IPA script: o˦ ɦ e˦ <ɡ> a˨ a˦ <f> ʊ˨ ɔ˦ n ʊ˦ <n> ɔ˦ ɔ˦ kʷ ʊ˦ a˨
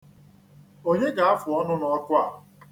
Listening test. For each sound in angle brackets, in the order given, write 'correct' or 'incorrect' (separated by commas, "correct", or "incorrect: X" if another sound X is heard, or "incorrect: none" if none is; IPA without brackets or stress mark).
correct, correct, correct